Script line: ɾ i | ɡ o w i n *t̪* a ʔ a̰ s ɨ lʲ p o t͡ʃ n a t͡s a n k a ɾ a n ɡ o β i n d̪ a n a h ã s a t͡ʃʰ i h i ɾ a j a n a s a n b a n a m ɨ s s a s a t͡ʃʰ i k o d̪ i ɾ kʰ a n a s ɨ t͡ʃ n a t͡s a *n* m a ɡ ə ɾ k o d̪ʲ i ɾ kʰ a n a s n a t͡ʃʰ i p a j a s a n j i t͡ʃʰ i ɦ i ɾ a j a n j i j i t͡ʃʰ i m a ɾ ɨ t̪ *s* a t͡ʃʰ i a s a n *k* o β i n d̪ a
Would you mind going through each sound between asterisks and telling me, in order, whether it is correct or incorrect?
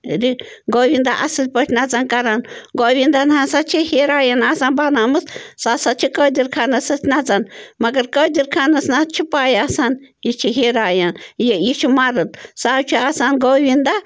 incorrect, correct, correct, incorrect

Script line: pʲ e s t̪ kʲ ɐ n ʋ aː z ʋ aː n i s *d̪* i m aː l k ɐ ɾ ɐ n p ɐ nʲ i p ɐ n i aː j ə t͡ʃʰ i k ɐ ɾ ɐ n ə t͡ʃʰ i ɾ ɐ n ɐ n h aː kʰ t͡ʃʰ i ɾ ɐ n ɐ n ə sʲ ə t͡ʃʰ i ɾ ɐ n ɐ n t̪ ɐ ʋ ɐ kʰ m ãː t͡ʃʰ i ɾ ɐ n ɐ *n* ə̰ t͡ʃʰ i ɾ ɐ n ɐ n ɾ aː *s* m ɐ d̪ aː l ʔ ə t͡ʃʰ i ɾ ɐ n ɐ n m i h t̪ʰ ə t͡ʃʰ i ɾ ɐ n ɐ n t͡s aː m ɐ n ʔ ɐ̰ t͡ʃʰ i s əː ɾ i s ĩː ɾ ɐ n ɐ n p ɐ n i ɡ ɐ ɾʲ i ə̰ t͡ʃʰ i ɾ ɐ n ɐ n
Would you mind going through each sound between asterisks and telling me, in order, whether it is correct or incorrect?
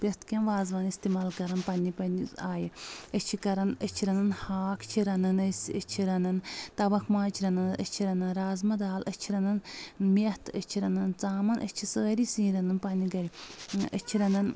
incorrect, correct, incorrect

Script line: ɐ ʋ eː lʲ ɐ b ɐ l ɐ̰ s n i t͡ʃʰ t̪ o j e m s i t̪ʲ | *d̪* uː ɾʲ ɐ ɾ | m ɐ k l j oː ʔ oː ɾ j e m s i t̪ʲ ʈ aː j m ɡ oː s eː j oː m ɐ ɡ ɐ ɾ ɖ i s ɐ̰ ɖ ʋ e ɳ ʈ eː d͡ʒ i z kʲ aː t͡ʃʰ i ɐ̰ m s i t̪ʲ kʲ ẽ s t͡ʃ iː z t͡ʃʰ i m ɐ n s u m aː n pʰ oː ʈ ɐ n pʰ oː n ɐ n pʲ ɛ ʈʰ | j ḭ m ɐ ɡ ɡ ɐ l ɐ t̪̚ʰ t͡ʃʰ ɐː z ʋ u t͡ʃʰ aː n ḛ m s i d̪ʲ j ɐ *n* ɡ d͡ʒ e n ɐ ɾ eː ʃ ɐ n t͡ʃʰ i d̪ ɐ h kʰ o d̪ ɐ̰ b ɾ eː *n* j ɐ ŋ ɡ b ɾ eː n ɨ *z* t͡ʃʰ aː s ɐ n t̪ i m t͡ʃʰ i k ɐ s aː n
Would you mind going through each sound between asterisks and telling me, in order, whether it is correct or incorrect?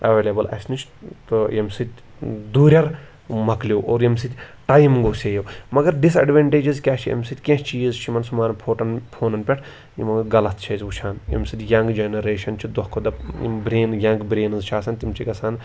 correct, incorrect, correct, correct

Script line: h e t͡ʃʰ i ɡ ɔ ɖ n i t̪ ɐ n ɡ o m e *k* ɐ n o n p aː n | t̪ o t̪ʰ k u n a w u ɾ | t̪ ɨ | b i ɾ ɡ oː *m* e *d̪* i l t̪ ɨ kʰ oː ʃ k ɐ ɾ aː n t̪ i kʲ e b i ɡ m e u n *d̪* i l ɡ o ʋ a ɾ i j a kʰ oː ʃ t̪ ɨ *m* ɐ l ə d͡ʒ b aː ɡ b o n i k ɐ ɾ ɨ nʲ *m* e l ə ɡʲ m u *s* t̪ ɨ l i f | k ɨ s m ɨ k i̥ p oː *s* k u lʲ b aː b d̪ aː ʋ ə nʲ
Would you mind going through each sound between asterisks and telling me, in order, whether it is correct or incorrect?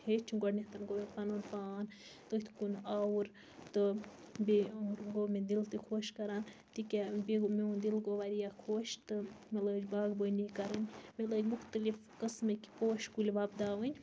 incorrect, correct, correct, correct, correct, correct, incorrect, incorrect

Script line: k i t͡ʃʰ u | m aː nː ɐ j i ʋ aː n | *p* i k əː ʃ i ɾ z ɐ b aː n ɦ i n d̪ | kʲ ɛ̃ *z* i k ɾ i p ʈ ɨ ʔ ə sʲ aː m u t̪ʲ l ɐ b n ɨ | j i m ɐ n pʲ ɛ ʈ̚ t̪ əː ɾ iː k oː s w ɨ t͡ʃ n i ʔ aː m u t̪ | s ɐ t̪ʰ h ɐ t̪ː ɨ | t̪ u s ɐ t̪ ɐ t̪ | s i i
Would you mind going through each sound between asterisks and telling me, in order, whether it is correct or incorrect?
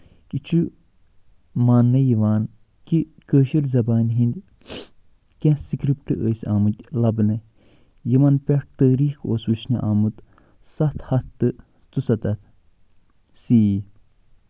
incorrect, incorrect

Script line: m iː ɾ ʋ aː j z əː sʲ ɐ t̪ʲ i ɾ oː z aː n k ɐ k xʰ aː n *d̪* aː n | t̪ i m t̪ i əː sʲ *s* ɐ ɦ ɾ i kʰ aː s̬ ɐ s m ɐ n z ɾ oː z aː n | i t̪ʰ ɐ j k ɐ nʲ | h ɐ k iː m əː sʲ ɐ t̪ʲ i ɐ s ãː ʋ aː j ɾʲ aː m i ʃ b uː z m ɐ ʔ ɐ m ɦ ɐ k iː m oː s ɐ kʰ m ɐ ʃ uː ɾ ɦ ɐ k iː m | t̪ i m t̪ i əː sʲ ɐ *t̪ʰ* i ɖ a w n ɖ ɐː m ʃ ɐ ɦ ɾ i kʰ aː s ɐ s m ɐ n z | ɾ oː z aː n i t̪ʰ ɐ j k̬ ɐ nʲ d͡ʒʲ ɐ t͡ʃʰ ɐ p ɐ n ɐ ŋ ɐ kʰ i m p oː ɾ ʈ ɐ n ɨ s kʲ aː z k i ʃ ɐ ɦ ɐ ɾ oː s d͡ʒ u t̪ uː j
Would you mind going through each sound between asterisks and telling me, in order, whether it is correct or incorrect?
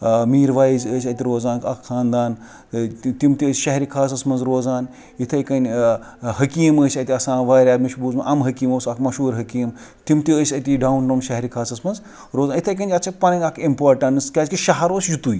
correct, incorrect, incorrect

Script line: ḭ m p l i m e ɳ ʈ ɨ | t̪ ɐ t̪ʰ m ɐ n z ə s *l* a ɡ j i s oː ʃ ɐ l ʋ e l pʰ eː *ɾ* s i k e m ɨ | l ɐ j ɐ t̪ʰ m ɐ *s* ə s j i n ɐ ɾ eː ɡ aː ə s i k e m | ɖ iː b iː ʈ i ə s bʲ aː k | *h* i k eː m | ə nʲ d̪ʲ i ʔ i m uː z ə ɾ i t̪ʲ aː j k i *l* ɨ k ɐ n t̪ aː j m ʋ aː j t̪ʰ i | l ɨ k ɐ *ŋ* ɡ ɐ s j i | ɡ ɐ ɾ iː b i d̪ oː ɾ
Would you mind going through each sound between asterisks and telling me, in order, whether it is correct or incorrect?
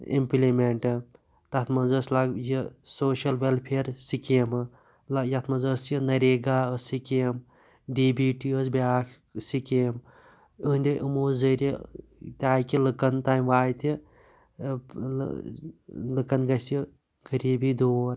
correct, correct, incorrect, incorrect, correct, incorrect

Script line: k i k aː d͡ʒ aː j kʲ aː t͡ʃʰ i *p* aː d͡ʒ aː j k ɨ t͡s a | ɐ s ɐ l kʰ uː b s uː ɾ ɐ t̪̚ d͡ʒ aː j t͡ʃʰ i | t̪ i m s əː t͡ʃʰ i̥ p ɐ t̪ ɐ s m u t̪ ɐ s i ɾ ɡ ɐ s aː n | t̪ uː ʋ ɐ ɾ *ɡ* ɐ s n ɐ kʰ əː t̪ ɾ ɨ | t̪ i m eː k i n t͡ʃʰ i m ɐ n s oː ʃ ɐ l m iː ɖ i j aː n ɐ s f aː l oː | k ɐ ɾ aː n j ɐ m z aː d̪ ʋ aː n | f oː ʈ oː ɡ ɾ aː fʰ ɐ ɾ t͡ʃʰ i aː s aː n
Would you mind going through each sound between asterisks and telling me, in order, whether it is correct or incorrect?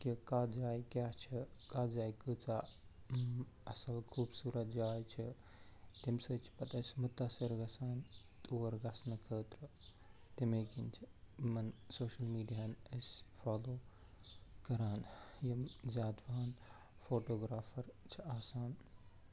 incorrect, correct

